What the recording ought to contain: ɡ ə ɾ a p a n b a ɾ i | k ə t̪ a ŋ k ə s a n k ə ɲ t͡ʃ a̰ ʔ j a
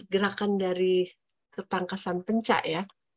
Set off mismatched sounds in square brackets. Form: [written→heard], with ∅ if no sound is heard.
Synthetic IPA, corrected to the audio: ɡ ə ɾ a [p→k] a n [b→d] a ɾ i | k ə t̪ a ŋ k [ə→a] s a n [k→p] ə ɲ t͡ʃ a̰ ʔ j a